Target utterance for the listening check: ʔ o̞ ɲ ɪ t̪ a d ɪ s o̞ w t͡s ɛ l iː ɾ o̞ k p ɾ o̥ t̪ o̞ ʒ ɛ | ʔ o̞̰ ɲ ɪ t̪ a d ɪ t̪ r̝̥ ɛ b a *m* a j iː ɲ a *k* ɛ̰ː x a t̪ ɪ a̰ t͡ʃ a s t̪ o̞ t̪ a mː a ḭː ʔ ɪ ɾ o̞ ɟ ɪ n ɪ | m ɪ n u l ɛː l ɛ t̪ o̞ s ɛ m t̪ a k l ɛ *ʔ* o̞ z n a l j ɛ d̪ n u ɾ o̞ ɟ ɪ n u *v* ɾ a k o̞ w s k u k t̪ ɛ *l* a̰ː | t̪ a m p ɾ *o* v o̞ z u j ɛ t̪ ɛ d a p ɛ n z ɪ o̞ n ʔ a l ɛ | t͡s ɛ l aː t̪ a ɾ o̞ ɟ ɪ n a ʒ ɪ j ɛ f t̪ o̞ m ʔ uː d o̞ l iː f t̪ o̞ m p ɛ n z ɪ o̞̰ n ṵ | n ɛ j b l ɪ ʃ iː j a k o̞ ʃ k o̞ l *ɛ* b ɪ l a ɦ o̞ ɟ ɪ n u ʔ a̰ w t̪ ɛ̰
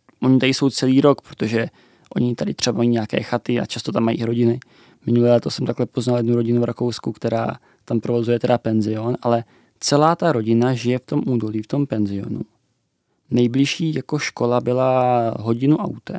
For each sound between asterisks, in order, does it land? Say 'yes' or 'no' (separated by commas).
yes, yes, no, yes, no, yes, no